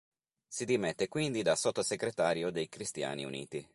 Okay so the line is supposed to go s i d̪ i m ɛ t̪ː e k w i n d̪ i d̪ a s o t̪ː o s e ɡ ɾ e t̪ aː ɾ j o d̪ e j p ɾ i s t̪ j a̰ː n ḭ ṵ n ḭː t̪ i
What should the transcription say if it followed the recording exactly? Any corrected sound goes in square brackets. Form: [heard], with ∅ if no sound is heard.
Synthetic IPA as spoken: s i d̪ i m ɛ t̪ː e k w i n d̪ i d̪ a s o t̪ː o s e ɡ ɾ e t̪ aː ɾ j o d̪ e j [k] ɾ i s t̪ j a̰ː n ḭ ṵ n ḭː t̪ i